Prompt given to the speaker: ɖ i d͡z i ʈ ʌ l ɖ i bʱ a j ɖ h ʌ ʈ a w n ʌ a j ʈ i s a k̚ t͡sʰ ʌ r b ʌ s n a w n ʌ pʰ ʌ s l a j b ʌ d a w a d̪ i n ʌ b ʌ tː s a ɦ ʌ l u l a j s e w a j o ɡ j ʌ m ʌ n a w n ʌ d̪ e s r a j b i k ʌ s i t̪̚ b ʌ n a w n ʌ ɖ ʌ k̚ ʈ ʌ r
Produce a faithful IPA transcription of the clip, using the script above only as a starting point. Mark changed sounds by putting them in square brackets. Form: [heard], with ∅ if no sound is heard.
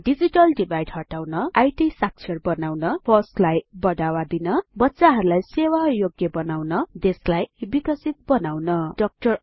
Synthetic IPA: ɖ i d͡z i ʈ ʌ l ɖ i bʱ a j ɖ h ʌ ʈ a w n ʌ a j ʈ i s a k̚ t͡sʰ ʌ r b ʌ [∅] n a w n ʌ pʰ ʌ s l a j b ʌ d a w a d̪ i n ʌ b ʌ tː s a ɦ ʌ [ɾ] u l a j s e w a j o ɡ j ʌ [b] ʌ n a w n ʌ d̪ e s [l] a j b i k ʌ s i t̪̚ b ʌ n a w n ʌ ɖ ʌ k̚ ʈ ʌ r